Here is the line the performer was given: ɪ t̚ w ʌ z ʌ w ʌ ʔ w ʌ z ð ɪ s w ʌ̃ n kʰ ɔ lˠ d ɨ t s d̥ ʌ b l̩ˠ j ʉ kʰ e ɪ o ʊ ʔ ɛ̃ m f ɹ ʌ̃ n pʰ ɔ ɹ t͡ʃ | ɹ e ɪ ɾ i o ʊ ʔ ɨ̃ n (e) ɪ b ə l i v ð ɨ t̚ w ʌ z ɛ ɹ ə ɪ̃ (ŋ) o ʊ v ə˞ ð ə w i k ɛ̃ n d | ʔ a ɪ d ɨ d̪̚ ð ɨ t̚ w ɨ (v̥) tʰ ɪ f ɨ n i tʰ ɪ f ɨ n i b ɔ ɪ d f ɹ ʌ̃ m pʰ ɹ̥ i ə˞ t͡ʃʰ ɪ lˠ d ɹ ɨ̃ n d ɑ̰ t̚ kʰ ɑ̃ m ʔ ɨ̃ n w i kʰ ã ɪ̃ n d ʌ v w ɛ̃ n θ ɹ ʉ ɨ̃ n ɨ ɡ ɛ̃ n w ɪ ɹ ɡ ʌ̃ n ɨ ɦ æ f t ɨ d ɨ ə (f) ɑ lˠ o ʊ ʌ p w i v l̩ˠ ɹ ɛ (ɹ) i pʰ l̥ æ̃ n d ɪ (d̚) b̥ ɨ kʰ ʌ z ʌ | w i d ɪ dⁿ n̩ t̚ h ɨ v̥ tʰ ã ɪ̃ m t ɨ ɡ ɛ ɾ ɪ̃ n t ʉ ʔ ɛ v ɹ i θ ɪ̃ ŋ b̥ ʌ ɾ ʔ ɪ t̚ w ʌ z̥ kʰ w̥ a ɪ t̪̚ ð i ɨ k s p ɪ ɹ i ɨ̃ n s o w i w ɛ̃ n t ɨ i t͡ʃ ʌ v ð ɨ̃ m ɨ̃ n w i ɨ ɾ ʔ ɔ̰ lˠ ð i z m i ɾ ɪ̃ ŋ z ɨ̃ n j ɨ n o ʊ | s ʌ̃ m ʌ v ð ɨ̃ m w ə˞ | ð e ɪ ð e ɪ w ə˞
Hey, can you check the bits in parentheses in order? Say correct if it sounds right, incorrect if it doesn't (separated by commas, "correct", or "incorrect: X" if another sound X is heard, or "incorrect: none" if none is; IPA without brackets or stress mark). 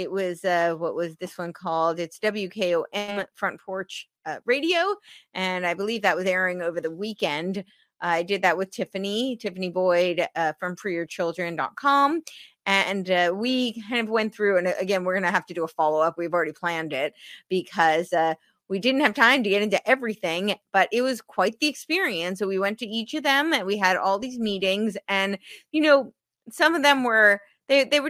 incorrect: a, correct, incorrect: ð̥, correct, incorrect: ɾ, incorrect: t̚